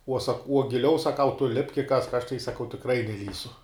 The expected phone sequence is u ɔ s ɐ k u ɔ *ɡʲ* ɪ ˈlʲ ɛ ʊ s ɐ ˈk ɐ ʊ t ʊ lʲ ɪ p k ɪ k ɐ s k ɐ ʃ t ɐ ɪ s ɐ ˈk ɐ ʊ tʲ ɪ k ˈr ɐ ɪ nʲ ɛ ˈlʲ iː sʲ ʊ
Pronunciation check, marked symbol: correct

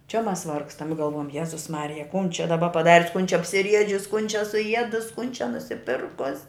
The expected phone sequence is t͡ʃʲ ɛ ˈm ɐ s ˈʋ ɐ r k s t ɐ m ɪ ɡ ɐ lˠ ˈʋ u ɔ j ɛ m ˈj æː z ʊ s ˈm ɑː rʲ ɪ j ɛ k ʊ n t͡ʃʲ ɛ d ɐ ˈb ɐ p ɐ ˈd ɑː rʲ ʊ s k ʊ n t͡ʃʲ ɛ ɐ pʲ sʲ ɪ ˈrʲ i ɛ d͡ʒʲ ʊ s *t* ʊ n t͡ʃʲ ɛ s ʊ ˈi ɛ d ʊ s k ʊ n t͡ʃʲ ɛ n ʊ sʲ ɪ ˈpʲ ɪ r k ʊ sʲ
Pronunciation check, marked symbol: incorrect: k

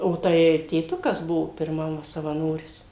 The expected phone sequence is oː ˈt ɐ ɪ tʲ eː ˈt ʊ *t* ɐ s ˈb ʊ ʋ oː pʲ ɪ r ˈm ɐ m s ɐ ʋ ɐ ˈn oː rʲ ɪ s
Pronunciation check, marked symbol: incorrect: k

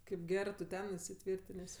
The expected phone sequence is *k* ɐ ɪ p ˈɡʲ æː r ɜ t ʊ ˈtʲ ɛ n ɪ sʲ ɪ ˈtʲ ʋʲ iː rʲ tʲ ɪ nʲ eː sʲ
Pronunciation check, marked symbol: correct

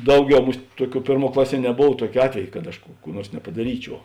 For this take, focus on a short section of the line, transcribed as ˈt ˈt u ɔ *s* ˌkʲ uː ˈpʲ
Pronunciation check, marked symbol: incorrect: none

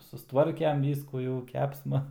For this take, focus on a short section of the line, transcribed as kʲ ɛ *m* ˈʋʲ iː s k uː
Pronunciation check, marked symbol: correct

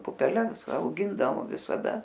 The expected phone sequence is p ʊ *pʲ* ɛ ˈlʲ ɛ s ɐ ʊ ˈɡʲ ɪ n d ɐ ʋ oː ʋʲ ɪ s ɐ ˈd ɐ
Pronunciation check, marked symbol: correct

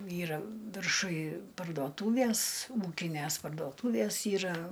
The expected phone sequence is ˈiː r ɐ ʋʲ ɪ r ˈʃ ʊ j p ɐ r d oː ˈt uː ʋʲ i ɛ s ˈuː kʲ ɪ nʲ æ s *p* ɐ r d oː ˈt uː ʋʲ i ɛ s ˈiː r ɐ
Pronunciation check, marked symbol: correct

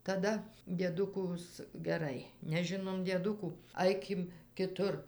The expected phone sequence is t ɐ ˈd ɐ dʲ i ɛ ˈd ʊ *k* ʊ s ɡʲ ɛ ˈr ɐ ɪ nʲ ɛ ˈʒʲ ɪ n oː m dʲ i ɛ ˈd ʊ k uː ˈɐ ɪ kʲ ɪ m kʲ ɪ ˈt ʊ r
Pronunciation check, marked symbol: correct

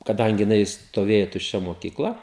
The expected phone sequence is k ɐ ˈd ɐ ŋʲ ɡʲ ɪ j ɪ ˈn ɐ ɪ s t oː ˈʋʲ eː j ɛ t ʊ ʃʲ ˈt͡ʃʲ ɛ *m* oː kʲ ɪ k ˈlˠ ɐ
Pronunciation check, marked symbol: correct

